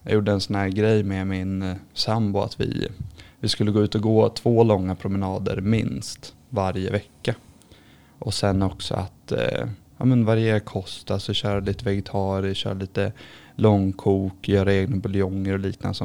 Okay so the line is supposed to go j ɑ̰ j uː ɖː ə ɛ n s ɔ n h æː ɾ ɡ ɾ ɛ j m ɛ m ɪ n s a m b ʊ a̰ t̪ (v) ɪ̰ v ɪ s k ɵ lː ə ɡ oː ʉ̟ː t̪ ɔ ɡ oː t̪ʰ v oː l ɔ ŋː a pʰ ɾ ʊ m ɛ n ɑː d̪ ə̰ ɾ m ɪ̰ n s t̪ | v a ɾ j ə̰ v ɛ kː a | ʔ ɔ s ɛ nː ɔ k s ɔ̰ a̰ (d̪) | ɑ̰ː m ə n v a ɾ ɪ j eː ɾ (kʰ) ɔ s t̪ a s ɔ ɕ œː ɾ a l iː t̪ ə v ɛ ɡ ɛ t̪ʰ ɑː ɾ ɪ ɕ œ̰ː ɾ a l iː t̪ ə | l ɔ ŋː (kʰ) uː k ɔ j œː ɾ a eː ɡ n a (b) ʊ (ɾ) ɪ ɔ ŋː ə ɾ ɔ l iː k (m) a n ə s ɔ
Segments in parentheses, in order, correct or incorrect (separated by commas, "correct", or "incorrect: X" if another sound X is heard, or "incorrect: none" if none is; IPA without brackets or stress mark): correct, incorrect: t̪, correct, correct, correct, incorrect: l, incorrect: n